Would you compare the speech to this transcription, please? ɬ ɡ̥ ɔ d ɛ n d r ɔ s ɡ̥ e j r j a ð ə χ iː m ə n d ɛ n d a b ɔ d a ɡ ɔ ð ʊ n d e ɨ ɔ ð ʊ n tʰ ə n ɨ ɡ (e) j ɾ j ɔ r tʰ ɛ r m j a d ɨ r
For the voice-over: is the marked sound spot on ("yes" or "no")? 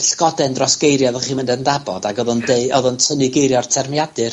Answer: yes